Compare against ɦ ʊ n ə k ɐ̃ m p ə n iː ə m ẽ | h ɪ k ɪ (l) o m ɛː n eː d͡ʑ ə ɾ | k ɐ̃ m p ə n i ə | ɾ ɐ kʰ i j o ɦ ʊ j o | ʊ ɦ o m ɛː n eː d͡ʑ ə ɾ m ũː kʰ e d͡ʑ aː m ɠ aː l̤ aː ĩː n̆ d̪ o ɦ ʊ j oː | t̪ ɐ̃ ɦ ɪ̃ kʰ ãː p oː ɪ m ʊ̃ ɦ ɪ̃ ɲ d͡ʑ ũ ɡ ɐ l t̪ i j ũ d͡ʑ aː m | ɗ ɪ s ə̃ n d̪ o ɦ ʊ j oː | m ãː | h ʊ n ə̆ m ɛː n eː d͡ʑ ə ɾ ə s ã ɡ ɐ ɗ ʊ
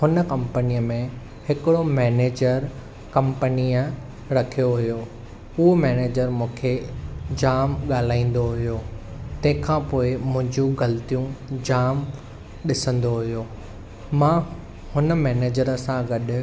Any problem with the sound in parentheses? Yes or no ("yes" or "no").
yes